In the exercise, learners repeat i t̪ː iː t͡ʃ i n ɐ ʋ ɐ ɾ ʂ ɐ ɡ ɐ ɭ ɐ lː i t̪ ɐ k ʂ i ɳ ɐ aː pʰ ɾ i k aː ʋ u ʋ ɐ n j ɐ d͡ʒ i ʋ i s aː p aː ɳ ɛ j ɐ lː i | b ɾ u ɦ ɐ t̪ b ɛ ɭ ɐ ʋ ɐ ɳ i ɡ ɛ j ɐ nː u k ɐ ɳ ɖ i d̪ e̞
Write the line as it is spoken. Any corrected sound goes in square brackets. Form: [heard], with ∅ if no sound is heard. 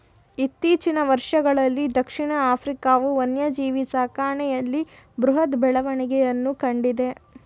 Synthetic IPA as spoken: i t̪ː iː t͡ʃ i n ɐ ʋ ɐ ɾ ʂ ɐ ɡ ɐ ɭ ɐ lː i [d̪] ɐ k ʂ i ɳ ɐ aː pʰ ɾ i k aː ʋ u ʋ ɐ n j ɐ d͡ʒ [iː] ʋ i s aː [k] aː ɳ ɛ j ɐ lː i | b ɾ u ɦ ɐ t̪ b ɛ ɭ ɐ ʋ ɐ ɳ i ɡ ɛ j ɐ nː u k ɐ ɳ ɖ i d̪ e̞